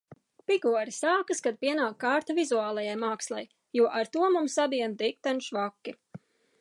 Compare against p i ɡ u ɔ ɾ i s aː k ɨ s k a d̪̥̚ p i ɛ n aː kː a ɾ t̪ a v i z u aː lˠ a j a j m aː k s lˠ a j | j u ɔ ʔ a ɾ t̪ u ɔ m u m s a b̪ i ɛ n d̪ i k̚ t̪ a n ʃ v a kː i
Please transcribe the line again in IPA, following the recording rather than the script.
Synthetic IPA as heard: p i ɡ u ɔ ɾ i s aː k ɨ s k a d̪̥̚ p i ɛ n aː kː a ɾ t̪ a v i z u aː lˠ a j a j m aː k s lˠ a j | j u ɔ ʔ a ɾ t̪ u ɔ m u m s a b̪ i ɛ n d̪ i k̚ t̪ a n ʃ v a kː i